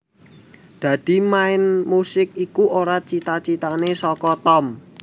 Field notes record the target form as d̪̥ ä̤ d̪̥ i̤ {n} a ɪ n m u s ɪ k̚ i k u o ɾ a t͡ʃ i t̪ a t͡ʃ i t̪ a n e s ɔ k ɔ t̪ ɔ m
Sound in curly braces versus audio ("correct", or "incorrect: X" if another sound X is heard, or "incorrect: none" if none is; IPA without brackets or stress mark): incorrect: m